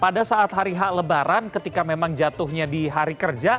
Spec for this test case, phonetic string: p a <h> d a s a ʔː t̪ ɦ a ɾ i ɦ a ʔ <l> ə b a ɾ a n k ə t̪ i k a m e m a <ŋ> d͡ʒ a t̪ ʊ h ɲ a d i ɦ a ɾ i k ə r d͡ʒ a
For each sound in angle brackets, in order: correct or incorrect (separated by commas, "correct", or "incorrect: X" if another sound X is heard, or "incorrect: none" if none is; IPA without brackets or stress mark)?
incorrect: none, correct, correct